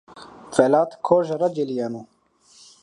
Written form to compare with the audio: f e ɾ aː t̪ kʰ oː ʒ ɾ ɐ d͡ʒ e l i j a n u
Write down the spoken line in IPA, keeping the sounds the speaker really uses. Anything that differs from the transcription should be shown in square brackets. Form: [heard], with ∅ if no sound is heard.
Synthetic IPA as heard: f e [l] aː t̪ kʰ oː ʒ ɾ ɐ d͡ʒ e l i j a n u